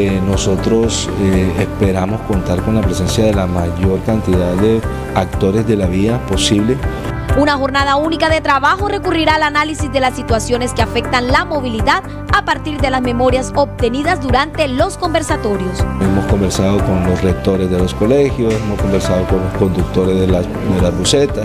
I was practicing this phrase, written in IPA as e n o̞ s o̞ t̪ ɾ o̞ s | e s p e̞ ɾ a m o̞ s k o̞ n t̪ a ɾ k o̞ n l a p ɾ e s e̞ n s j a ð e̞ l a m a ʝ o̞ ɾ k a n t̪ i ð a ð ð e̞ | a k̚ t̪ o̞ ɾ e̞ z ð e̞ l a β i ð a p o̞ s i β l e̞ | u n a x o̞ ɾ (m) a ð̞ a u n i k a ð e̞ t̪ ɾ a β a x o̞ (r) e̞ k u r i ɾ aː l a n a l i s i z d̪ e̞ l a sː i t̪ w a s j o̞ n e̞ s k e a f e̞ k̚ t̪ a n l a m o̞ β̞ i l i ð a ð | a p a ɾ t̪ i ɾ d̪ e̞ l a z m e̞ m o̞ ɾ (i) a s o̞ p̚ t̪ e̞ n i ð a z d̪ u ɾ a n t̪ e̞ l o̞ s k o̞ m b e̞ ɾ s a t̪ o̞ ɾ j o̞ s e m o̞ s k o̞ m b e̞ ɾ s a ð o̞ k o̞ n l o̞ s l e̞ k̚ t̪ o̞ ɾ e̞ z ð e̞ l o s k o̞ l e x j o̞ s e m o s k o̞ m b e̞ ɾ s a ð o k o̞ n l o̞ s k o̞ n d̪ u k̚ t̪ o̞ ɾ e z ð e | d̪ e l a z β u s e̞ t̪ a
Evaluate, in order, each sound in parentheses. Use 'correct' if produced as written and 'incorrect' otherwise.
incorrect: n, correct, incorrect: j

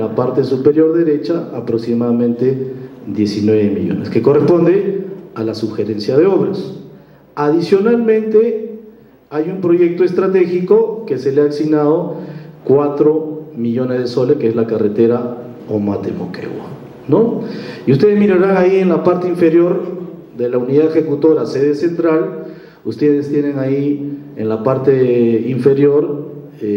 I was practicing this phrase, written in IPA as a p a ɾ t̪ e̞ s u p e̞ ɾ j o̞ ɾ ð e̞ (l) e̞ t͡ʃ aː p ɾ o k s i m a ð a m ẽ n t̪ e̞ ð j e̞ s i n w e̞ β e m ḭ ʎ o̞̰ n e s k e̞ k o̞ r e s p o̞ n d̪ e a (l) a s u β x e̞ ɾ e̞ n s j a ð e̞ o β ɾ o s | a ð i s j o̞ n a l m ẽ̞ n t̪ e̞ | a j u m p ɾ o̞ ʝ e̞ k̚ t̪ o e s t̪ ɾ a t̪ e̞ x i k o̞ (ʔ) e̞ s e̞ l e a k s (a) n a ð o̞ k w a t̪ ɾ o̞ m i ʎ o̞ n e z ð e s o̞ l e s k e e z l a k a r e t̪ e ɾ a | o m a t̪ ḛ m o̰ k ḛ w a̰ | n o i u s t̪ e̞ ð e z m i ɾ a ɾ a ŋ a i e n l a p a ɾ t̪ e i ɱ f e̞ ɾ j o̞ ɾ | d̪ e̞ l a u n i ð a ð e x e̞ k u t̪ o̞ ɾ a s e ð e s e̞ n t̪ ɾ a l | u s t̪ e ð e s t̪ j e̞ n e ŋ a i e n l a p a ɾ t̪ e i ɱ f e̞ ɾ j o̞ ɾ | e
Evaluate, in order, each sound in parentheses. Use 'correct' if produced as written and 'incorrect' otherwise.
incorrect: ɾ, correct, incorrect: k, incorrect: i

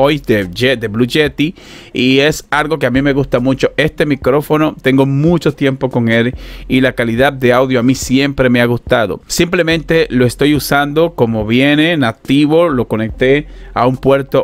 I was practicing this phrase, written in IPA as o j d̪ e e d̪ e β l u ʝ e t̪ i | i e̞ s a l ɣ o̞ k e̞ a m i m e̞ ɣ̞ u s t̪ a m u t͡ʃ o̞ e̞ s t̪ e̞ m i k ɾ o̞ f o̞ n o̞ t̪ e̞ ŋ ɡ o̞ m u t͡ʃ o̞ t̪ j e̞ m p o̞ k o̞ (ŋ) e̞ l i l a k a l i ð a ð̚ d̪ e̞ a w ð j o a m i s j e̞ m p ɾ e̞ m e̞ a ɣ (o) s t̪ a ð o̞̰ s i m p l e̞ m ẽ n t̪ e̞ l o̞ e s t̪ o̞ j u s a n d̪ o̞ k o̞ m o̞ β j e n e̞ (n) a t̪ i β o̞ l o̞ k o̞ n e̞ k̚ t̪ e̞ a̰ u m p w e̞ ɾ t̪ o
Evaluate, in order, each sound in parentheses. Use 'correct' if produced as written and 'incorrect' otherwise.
correct, incorrect: u, correct

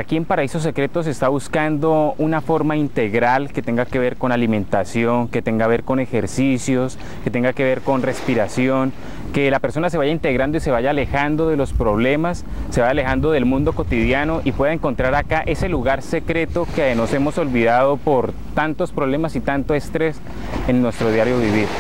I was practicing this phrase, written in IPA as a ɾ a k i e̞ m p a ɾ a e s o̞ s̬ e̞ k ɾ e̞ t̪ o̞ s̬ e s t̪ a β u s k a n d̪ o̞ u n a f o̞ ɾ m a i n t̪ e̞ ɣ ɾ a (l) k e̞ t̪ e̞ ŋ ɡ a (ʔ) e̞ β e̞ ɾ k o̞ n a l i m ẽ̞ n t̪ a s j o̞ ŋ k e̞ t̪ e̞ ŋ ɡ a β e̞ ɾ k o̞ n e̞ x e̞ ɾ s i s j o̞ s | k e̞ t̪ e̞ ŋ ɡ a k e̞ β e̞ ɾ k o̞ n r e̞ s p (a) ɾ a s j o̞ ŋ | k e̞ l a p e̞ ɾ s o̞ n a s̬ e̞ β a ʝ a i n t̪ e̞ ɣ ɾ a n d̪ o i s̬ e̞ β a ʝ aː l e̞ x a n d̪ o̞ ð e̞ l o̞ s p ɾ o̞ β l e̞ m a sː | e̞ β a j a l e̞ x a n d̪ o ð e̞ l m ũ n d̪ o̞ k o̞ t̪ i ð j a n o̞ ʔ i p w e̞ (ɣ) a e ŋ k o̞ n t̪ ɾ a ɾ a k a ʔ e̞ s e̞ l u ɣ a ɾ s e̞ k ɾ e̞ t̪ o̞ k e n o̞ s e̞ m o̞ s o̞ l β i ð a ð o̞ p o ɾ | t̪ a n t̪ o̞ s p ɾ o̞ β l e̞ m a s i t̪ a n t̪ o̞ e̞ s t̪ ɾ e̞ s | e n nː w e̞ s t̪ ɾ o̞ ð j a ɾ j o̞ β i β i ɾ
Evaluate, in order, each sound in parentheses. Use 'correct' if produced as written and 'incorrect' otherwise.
correct, incorrect: k, incorrect: i, incorrect: ð

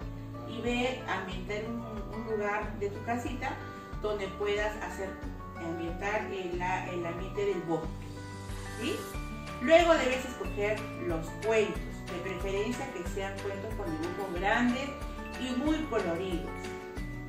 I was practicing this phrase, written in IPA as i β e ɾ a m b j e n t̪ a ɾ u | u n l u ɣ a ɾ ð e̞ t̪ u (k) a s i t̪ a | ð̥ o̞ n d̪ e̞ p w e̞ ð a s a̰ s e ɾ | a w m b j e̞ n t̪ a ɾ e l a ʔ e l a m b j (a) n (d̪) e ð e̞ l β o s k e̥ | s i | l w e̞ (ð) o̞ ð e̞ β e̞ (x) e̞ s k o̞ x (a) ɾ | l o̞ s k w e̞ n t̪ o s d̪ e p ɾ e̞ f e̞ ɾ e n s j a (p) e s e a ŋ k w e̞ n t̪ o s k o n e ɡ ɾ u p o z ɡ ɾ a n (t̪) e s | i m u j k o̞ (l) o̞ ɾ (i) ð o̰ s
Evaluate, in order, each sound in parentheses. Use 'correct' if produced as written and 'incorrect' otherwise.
correct, incorrect: e, incorrect: t̪, incorrect: ɣ, incorrect: s, incorrect: e, incorrect: k, incorrect: d̪, correct, correct

